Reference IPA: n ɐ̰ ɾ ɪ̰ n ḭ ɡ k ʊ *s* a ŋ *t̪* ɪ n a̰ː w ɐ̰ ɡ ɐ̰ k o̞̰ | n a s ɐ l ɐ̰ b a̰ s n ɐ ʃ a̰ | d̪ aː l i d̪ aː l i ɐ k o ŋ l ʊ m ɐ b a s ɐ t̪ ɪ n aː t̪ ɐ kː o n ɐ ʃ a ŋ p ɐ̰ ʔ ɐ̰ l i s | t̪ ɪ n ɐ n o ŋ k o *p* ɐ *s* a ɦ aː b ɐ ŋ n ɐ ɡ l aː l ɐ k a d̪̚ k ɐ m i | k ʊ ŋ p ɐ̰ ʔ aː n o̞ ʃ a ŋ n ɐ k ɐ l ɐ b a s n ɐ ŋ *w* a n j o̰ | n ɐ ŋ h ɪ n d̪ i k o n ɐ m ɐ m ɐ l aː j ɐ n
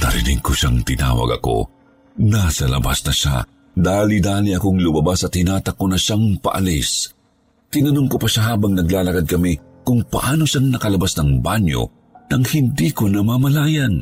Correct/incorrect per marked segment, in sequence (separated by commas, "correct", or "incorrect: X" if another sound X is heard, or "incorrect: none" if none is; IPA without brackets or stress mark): incorrect: ʃ, correct, correct, incorrect: ʃ, incorrect: b